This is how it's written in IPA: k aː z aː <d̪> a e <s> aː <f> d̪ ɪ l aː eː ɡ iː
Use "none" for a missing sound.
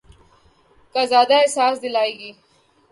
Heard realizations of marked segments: d̪, s, s

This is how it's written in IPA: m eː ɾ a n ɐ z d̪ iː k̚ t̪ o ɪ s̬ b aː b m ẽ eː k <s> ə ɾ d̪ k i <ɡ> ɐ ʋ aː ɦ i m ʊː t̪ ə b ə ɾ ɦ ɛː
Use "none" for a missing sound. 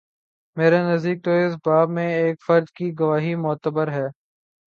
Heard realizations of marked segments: f, ɡ

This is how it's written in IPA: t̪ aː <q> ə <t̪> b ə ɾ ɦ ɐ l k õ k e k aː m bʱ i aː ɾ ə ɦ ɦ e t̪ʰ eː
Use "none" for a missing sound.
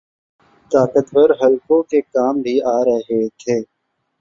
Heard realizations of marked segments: k, t̪

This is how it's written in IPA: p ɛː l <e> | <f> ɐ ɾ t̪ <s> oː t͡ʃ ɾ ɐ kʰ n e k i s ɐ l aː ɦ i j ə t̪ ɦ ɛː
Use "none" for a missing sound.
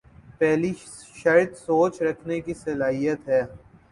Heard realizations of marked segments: i, ʃ, s

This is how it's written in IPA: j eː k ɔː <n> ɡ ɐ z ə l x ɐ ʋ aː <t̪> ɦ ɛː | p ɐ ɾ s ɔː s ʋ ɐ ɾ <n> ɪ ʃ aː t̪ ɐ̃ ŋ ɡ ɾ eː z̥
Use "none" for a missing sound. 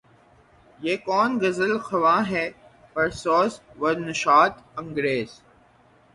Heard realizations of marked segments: n, none, n

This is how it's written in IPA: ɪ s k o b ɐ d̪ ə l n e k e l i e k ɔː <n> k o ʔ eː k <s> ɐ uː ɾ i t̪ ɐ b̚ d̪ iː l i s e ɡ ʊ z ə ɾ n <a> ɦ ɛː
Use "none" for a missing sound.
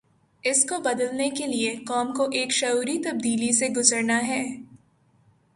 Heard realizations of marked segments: m, ʃ, a

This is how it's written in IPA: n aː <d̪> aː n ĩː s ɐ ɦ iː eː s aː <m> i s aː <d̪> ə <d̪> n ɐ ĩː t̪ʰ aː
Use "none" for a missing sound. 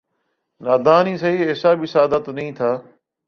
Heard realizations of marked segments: d̪, b, d̪, t̪

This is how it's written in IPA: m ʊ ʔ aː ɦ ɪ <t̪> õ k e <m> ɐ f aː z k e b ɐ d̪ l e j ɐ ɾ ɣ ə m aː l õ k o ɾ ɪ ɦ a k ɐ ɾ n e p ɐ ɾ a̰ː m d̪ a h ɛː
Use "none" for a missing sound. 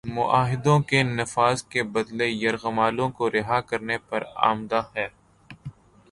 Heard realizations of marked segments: d̪, n

